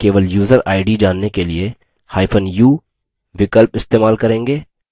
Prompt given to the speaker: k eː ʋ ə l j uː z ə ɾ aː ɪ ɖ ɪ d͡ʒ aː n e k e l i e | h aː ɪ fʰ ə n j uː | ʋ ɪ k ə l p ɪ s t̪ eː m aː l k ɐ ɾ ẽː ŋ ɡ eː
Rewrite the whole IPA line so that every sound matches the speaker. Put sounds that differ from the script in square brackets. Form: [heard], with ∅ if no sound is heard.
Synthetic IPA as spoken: k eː ʋ ə l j uː z ə ɾ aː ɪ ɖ [i] d͡ʒ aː [nː] e k e l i e | h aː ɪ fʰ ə n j uː | ʋ ɪ k ə l p ɪ s t̪ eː m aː l k ɐ ɾ ẽː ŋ ɡ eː